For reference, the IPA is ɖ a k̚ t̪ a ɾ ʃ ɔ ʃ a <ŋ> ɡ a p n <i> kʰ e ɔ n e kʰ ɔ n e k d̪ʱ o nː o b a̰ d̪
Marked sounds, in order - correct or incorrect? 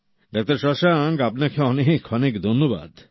correct, incorrect

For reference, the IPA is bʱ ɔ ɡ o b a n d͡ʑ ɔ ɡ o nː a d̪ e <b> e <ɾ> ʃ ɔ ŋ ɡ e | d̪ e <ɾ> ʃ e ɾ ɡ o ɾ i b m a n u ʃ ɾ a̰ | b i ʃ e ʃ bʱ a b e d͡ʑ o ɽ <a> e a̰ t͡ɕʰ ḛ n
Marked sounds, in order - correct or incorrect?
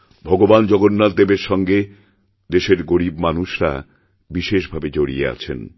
correct, correct, incorrect, incorrect

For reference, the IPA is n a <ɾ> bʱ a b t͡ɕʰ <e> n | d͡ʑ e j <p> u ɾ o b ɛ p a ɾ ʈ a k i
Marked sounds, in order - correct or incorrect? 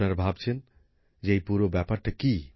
correct, correct, correct

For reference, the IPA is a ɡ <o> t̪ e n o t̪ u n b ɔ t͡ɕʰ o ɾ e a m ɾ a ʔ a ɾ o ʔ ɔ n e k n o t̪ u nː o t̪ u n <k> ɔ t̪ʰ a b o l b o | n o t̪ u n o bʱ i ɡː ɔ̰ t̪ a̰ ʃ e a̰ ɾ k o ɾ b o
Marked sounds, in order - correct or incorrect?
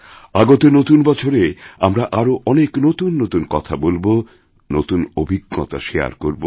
correct, correct

